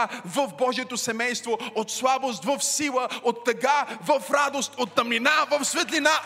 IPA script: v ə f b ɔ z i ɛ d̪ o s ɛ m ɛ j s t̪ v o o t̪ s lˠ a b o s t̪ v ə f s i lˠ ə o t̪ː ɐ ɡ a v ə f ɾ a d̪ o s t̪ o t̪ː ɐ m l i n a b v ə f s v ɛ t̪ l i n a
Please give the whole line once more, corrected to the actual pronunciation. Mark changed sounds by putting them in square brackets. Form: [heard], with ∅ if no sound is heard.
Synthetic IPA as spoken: v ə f b ɔ [ʒ] i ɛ [t̪] o s ɛ m ɛ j s t̪ v o o t̪ s lˠ a b o s t̪ v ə f s i lˠ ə o t̪ː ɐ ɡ a v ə f ɾ a d̪ o s t̪ o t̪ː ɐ m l i n a [∅] v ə f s v ɛ t̪ l i n a